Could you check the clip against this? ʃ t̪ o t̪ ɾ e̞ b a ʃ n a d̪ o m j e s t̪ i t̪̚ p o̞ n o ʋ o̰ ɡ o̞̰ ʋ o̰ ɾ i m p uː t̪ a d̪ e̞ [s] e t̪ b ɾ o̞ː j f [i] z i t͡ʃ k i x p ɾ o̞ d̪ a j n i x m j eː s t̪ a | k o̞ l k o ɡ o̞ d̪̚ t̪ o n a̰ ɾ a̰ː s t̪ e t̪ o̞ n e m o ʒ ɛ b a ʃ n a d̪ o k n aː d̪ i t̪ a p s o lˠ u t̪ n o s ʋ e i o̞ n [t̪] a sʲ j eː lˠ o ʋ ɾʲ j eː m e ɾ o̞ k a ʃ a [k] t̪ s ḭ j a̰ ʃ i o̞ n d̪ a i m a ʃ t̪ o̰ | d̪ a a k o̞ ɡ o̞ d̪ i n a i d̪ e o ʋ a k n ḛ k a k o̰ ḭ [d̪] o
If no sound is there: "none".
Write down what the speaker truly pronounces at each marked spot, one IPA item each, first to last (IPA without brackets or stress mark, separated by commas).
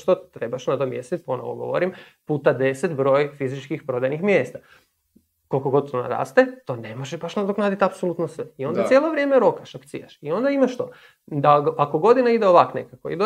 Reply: s, i, d̪, k, d̪